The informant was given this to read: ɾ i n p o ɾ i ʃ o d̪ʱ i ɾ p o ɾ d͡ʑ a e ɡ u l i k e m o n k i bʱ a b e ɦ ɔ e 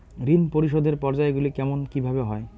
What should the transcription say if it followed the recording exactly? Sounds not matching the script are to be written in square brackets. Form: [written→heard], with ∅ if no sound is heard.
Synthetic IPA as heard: ɾ i n p o ɾ i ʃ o d̪ʱ [i→e] ɾ p [o→ɔ] ɾ d͡ʑ a e ɡ u l i k [e→ɛ] m o n k i bʱ a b e ɦ ɔ e